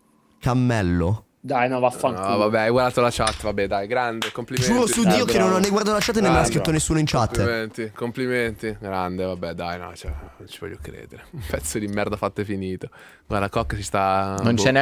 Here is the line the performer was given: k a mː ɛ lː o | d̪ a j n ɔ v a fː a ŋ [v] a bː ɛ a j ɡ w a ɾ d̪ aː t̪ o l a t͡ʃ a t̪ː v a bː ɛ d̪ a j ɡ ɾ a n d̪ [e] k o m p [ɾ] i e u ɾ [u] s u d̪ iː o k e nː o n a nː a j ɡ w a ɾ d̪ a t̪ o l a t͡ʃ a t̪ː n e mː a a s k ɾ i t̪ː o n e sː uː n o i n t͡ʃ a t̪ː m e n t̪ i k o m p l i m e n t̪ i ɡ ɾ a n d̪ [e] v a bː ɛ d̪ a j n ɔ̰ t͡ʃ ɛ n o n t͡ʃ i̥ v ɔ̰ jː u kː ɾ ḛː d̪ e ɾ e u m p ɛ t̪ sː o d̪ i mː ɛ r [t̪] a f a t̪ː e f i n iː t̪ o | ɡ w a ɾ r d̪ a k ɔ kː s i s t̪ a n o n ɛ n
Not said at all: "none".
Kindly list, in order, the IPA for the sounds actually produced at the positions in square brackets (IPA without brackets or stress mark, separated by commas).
v, e, l, o, e, d̪